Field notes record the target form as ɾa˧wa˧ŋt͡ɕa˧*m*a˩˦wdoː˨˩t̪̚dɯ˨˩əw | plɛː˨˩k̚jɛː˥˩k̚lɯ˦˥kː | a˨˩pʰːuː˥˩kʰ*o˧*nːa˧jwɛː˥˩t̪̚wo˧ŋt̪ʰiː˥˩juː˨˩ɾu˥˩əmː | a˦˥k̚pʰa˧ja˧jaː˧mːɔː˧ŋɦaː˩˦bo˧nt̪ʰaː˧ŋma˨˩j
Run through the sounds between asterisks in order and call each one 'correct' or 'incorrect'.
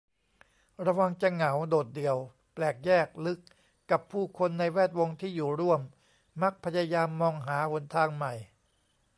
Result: incorrect, correct

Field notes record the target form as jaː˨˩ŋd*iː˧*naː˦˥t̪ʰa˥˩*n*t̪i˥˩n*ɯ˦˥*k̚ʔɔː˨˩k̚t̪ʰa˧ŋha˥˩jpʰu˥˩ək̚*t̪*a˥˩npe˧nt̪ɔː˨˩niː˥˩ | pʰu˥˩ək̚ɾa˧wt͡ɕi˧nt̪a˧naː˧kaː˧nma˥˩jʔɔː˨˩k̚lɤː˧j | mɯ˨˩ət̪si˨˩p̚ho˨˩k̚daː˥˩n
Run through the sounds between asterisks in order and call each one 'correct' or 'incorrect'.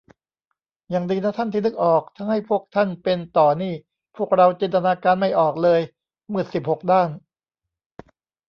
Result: correct, correct, correct, incorrect

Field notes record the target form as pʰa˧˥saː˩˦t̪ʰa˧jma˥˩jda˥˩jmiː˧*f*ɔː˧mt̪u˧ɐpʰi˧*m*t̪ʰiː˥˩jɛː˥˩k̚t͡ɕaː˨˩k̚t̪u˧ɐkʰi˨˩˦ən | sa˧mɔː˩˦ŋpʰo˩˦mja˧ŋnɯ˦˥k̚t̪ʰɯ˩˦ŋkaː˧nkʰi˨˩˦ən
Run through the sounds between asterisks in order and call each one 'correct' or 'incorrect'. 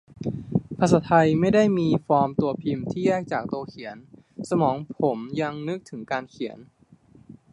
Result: correct, correct

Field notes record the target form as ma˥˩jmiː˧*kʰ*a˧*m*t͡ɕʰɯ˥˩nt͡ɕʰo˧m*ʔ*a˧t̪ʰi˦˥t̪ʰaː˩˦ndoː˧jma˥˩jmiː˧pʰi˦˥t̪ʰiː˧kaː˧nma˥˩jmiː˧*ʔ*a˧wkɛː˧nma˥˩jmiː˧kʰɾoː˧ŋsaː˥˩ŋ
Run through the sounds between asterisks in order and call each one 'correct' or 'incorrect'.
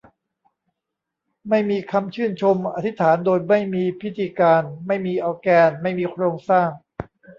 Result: correct, correct, correct, correct

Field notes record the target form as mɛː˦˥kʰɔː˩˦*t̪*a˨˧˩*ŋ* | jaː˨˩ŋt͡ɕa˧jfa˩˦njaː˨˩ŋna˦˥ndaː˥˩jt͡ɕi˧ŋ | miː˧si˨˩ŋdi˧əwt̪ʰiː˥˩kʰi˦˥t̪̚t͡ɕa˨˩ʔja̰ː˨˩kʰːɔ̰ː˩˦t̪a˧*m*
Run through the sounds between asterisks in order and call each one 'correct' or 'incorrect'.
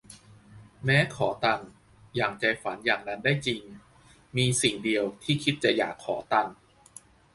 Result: correct, correct, incorrect

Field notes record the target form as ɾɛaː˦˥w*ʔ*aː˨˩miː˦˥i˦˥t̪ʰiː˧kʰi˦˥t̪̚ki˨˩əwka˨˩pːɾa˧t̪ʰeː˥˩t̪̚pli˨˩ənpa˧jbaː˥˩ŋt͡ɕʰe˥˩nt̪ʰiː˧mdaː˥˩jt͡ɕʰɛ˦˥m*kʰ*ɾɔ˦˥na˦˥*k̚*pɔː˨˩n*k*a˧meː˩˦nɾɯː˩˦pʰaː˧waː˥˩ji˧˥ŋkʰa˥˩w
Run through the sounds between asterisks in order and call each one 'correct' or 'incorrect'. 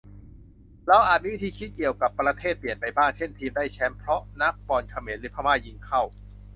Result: correct, incorrect, correct, incorrect

